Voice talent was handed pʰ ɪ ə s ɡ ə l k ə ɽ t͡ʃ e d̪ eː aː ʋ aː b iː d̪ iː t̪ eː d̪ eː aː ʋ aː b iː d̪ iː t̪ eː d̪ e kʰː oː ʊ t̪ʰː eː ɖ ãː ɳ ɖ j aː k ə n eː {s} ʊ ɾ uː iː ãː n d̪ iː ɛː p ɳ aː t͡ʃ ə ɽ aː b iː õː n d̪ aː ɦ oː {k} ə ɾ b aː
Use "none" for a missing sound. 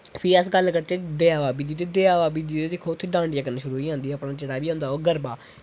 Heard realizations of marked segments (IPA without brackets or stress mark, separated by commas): ʃ, ɡ